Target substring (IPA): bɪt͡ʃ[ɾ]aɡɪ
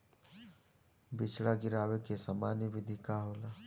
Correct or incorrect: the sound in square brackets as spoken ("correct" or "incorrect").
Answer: incorrect